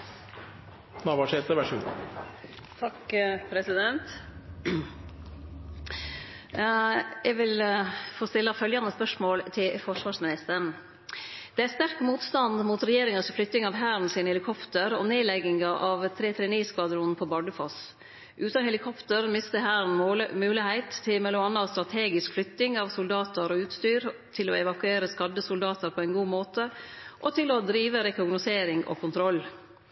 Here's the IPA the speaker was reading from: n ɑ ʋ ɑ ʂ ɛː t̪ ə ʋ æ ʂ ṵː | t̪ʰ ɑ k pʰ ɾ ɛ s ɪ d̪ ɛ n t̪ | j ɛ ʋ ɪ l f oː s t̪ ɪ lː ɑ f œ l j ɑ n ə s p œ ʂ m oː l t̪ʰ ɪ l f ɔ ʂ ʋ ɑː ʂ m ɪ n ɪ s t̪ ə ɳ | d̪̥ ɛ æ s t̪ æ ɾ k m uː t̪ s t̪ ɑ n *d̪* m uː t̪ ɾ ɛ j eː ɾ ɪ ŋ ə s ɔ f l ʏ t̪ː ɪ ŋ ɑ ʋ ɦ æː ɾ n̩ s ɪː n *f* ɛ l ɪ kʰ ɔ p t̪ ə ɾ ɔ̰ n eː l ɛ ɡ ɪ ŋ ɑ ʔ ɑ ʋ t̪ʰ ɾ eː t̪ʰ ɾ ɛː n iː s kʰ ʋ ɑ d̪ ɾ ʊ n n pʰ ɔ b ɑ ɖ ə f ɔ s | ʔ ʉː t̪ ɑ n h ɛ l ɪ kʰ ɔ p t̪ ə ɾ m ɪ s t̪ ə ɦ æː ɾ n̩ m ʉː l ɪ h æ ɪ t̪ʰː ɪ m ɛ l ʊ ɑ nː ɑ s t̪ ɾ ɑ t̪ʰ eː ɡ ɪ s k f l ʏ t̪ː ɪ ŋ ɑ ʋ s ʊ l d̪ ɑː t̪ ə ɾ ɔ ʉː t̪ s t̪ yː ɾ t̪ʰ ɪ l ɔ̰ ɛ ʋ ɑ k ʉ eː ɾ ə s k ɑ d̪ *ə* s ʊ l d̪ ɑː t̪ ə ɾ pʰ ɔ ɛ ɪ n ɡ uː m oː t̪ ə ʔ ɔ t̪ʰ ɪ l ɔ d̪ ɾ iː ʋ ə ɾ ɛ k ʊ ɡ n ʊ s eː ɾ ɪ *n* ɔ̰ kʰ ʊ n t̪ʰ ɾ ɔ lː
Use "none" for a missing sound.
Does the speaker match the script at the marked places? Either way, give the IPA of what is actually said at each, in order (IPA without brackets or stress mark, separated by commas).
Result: d̪, h, ə, ŋ